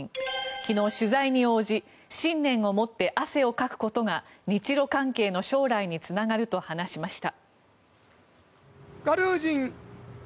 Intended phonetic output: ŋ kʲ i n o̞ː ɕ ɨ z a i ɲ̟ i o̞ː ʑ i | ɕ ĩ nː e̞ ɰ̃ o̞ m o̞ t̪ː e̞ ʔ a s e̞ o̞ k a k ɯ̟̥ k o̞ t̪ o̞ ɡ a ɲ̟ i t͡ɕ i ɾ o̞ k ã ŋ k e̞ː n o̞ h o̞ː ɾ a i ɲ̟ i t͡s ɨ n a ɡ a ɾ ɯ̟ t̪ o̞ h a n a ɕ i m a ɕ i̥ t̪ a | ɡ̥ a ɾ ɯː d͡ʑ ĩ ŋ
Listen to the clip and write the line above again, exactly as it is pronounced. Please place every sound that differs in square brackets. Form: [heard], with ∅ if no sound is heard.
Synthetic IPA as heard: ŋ kʲ i n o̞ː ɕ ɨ z a i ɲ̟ i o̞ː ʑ i | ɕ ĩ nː [ẽ̞] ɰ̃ o̞ m o̞ t̪ː e̞ ʔ a s e̞ o̞ k a k ɯ̟̥ k o̞ t̪ o̞ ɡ a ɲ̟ i t͡ɕ i ɾ o̞ k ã ŋ k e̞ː n o̞ [ɕ] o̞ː ɾ a i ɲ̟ i t͡s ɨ n a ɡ a ɾ ɯ̟ t̪ o̞ h a n a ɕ i m a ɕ i̥ t̪ a | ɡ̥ a ɾ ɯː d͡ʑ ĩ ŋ

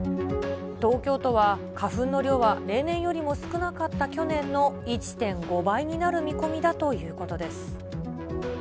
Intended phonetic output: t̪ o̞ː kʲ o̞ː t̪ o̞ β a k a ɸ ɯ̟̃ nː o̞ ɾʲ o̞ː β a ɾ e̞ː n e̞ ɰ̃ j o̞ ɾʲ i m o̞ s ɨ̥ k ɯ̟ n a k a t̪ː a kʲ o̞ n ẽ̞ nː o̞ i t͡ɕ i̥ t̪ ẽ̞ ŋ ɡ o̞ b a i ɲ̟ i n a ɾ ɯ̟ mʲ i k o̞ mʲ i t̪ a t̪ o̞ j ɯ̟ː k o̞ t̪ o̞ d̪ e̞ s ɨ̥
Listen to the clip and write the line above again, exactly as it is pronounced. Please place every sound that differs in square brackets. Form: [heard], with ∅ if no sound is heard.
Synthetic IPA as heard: t̪ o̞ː kʲ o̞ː t̪ o̞ β a k a ɸ ɯ̟̃ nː o̞ ɾʲ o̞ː β a ɾ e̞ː n [ẽ̞] ɰ̃ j o̞ ɾʲ i m o̞ s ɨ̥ k ɯ̟ n a k a t̪ː a kʲ o̞ n ẽ̞ nː o̞ i t͡ɕ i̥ t̪ ẽ̞ ŋ ɡ o̞ b a i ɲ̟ i n a ɾ ɯ̟ mʲ i k o̞ mʲ i [d̪] a t̪ o̞ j ɯ̟ː k o̞ t̪ o̞ d̪ e̞ s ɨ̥

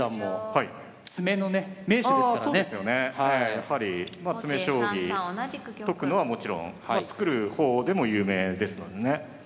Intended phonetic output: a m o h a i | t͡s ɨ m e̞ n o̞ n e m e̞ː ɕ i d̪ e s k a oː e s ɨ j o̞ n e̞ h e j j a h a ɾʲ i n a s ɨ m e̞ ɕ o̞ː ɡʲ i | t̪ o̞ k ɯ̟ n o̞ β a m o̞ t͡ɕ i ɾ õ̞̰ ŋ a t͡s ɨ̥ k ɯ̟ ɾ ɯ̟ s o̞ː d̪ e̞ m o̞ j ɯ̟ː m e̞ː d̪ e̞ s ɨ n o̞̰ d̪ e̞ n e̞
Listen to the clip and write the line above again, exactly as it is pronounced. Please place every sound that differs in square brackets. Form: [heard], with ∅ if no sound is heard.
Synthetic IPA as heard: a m o h a i | t͡s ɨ m e̞ n o̞ n e m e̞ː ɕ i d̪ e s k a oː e s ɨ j o̞ n e̞ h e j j a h a ɾʲ i [m] a [t͡s] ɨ m e̞ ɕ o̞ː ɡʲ i | t̪ o̞ k ɯ̟ n o̞ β a m o̞ t͡ɕ i ɾ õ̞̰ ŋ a t͡s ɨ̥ k ɯ̟ ɾ ɯ̟ [h] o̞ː d̪ e̞ m o̞ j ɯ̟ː m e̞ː d̪ e̞ s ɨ n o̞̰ d̪ e̞ n e̞

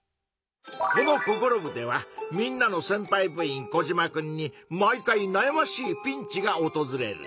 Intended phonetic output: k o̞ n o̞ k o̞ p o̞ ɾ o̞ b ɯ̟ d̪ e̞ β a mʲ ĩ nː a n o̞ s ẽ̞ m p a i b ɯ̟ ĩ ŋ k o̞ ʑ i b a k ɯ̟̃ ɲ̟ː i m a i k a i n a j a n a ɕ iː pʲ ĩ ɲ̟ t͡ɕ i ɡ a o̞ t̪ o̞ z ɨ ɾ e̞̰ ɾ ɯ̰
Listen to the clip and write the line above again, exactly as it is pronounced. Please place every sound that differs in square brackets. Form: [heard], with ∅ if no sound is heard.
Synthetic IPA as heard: k o̞ n o̞ k o̞ [k] o̞ ɾ o̞ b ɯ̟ d̪ e̞ β a mʲ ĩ nː a n o̞ s ẽ̞ m p a i b ɯ̟ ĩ ŋ k o̞ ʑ i [m] a k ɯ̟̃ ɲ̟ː i m a i k a i n a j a [m] a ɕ iː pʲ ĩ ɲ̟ t͡ɕ i ɡ a o̞ t̪ o̞ z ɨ ɾ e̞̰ ɾ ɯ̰

